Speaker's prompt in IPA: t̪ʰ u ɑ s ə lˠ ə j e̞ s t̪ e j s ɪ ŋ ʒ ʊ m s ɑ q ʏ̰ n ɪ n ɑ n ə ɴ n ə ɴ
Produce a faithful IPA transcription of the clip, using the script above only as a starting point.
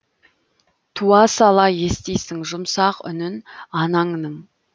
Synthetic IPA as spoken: t̪ʰ u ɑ s ɑ lˠ ɑ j e̞ s t̪ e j s ɪ ŋ ʒ ʊ m s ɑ q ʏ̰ n ɪ n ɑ n ɑ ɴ n ə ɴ